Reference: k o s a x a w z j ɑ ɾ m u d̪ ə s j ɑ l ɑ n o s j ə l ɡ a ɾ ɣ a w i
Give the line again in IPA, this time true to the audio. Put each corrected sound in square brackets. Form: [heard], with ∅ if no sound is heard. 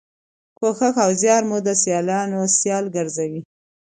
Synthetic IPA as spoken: k o [x] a x a w z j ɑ ɾ m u d̪ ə s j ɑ l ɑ n o s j [ɑ] l ɡ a ɾ [z] a w i